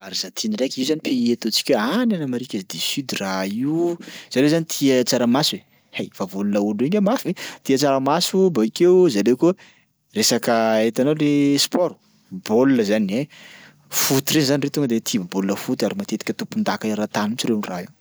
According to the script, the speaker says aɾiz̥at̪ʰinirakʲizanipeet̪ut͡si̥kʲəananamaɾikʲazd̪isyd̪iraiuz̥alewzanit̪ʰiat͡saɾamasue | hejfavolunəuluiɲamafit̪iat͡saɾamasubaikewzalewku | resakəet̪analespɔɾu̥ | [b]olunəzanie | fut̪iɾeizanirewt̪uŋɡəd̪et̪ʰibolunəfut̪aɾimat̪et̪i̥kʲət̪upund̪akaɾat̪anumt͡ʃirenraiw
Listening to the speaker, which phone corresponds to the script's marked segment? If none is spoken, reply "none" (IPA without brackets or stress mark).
b